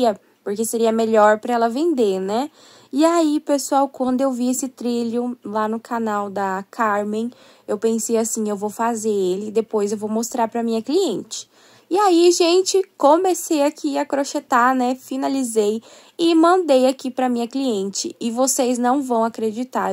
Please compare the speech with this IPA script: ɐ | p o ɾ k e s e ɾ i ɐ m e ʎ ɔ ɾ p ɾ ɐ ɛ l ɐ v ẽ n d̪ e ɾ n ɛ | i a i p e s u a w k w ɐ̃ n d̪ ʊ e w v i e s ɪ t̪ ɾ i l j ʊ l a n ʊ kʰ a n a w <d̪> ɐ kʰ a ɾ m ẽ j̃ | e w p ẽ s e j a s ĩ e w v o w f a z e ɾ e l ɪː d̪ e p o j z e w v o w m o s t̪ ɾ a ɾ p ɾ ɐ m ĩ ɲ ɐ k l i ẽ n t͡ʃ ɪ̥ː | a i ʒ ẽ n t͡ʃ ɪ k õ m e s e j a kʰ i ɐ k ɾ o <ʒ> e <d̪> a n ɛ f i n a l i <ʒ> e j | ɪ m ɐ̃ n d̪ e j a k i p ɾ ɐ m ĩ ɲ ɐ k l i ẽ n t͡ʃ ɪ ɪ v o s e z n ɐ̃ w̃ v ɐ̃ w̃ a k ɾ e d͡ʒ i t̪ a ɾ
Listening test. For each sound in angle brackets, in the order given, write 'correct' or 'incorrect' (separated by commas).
correct, incorrect, incorrect, incorrect